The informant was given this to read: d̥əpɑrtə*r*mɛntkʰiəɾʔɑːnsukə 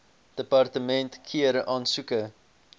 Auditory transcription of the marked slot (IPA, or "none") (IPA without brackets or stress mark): none